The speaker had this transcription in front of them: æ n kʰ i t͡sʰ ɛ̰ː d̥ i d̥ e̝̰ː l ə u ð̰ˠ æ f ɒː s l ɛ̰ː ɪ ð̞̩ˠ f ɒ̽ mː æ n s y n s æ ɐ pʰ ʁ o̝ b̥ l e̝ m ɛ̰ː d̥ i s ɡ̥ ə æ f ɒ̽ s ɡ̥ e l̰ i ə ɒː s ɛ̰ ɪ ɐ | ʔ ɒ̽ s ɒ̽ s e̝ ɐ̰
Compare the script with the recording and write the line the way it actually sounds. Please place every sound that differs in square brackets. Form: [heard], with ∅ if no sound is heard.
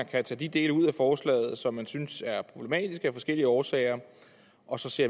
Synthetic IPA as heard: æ n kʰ [æ] t͡sʰ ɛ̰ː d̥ i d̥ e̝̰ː l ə u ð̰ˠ æ f ɒː s l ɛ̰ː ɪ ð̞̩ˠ [s] ɒ̽ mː æ n s y n s æ ɐ pʰ ʁ o̝ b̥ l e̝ m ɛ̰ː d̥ i s ɡ̥ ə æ f ɒ̽ s ɡ̥ e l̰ i ə ɒː s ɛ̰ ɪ ɐ | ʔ ɒ̽ s ɒ̽ s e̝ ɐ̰